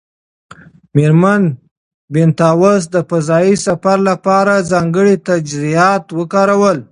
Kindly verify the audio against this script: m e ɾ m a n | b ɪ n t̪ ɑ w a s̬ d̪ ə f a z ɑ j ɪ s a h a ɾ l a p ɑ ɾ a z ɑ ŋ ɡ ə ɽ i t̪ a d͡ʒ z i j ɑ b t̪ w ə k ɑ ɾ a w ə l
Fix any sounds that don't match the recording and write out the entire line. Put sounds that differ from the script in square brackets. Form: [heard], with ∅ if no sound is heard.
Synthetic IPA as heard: m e ɾ m a n | b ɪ n t̪ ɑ w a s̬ d̪ ə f a z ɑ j [i] s a [f] a ɾ l a p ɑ ɾ a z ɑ ŋ ɡ ə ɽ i t̪ a d͡ʒ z i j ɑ [∅] t̪ w ə k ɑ ɾ a w ə l